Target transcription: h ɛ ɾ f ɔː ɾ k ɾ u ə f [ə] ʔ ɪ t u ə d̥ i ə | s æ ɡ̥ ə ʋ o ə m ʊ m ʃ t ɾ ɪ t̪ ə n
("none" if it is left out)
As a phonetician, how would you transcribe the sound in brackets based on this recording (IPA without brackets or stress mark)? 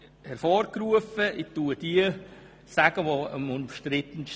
ə